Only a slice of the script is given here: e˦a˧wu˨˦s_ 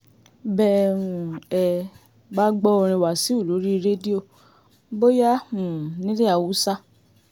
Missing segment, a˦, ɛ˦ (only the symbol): a˦